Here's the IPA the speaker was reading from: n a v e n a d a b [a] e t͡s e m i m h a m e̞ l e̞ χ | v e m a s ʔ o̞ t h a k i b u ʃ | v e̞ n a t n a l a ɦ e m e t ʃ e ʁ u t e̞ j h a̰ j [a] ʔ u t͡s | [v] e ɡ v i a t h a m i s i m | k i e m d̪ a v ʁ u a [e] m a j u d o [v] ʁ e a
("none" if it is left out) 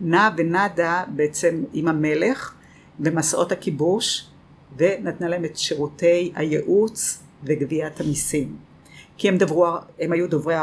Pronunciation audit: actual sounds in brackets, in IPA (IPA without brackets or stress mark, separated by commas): e, e, v, e, v